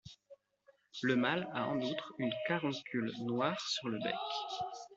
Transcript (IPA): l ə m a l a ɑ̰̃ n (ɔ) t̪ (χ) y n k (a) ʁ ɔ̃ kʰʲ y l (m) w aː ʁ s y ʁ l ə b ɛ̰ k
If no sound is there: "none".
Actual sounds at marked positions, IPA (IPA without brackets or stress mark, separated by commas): u, χ, a, n